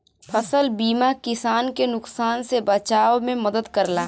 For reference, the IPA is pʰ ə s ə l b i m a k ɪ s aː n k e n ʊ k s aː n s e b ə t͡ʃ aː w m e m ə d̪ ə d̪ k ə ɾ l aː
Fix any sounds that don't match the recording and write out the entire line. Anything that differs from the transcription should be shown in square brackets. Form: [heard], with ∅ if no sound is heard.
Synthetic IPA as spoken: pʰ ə s ə l b [iː] m a k ɪ s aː n k e n ʊ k s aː n s e b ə t͡ʃ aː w m [ẽ] m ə d̪ ə d̪ k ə ɾ l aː